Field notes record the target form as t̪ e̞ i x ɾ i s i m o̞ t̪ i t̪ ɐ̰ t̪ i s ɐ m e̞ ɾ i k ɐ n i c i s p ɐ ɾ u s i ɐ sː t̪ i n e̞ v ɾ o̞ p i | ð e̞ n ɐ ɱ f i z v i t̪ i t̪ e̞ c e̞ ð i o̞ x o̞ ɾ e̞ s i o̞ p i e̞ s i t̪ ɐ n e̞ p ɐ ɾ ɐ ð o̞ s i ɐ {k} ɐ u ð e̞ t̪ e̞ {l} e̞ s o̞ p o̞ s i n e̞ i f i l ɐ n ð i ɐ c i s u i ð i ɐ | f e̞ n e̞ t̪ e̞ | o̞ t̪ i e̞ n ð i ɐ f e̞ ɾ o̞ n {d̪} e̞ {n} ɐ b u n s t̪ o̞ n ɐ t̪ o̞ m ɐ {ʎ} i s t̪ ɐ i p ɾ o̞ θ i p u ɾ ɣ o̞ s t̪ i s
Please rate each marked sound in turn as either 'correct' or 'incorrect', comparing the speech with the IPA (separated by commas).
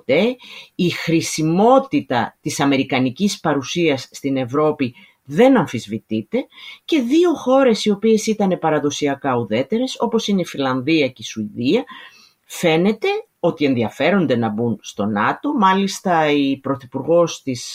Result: correct, incorrect, correct, correct, incorrect